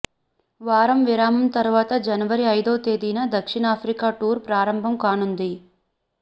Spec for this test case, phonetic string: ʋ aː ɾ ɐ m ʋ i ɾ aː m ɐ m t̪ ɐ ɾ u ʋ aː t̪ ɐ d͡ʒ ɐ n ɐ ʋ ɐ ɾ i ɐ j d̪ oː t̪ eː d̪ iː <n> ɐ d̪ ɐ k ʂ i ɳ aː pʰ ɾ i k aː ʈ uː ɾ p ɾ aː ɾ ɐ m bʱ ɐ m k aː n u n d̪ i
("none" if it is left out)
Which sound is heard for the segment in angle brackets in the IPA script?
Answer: n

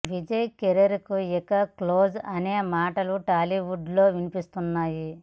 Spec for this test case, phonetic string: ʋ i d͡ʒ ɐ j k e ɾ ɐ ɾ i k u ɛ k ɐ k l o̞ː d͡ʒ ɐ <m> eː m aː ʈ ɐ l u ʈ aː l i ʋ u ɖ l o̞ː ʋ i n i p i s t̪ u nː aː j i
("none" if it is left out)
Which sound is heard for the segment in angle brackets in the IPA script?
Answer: n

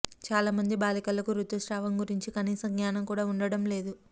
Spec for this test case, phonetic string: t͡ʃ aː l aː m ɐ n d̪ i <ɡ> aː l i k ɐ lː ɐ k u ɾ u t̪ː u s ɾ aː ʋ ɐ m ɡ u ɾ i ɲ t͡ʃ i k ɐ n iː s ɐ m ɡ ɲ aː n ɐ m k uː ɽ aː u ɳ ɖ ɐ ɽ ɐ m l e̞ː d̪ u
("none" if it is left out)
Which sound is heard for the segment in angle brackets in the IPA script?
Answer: b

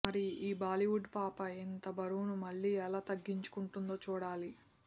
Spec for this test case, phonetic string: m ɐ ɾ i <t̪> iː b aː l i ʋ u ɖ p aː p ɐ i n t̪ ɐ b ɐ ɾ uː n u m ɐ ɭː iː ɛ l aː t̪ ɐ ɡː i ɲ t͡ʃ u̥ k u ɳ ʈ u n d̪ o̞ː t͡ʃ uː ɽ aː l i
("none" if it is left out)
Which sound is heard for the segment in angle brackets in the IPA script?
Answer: none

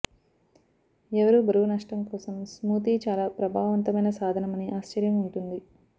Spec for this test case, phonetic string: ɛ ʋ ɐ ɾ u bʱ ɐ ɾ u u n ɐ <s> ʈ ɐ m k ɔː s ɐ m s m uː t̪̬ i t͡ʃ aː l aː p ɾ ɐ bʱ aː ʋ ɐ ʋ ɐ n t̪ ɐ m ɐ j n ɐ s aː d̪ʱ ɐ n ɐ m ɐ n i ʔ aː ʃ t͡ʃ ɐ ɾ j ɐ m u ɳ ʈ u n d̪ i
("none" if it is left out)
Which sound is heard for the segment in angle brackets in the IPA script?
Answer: ʂ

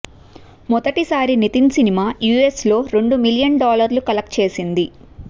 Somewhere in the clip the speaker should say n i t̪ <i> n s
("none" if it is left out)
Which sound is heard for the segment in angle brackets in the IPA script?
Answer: i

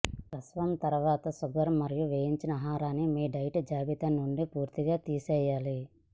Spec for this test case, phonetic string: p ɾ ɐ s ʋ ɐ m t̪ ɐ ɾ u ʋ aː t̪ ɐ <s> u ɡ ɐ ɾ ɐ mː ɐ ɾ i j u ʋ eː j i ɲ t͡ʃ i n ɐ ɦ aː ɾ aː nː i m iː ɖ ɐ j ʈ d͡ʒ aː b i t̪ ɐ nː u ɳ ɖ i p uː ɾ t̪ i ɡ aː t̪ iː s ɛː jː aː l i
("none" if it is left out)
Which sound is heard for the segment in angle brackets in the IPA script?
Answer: s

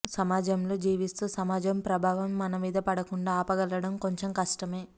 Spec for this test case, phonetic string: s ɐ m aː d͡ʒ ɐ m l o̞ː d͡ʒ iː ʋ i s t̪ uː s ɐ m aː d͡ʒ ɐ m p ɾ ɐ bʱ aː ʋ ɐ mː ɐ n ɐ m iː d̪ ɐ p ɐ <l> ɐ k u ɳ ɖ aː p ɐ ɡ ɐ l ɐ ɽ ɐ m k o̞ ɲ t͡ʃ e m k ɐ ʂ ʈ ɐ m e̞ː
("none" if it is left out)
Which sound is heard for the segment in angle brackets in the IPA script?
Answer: ɽ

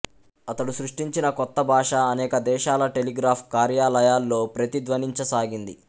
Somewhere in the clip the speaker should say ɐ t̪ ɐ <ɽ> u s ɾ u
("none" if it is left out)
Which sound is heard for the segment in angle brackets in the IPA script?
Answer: ɽ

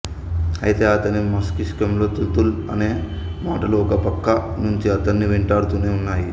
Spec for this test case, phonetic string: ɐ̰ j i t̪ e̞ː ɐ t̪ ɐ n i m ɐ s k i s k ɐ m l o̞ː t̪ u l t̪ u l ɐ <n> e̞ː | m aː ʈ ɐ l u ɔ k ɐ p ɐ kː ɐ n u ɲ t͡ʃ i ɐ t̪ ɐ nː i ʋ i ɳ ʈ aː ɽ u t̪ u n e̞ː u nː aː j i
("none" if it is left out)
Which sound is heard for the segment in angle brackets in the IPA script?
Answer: n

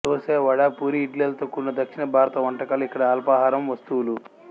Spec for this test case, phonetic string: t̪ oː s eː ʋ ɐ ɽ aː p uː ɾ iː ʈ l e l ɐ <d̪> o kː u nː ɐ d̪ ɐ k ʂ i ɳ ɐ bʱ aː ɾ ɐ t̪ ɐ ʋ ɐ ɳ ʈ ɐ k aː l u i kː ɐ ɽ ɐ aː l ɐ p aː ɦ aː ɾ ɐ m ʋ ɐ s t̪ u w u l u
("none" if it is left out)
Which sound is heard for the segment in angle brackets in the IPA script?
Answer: t̪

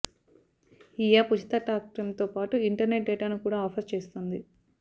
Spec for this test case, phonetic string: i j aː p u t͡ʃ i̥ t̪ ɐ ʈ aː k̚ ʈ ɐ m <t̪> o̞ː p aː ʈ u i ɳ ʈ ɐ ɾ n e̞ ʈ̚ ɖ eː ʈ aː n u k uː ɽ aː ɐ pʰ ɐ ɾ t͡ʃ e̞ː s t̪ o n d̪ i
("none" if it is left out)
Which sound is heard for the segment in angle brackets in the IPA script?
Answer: t̪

